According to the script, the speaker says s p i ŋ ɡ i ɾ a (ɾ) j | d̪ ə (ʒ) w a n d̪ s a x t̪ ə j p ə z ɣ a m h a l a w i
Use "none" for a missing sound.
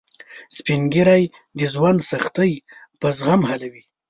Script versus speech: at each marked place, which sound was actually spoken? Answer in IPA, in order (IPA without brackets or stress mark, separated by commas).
none, z